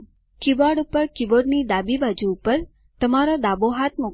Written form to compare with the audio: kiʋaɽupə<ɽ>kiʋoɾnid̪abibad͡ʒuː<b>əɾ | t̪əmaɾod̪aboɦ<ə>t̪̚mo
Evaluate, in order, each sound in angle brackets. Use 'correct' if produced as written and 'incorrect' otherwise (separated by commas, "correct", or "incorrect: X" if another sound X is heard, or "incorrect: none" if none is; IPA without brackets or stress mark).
incorrect: ɾ, incorrect: p, incorrect: a